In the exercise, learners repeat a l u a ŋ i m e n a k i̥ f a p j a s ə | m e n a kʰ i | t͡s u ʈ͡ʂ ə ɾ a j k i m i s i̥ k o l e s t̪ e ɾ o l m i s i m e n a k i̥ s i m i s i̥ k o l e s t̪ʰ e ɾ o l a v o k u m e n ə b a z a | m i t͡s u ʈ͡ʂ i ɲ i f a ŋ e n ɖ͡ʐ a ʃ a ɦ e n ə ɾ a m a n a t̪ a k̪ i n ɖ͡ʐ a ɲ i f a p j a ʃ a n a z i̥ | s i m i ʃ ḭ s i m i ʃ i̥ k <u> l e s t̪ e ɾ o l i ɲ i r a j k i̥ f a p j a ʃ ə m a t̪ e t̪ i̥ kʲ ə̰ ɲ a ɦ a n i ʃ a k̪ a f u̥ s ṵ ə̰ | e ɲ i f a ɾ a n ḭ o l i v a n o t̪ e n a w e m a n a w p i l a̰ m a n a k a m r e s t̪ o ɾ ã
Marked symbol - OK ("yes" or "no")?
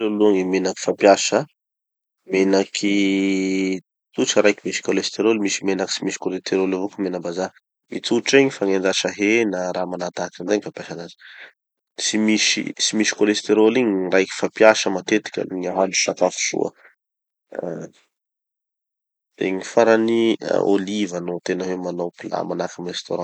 no